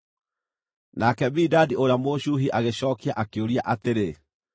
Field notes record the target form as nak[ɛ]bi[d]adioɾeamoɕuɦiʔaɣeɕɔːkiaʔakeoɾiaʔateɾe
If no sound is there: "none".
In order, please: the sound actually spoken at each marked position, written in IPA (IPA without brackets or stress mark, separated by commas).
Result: ɛ, d